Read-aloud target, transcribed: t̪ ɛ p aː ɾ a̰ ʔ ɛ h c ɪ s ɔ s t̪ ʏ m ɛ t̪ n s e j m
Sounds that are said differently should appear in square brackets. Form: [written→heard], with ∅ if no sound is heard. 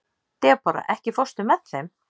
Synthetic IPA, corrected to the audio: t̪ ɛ p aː ɾ a̰ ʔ ɛ h c ɪ [s→f] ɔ s t̪ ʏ m ɛ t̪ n [s→θ] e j m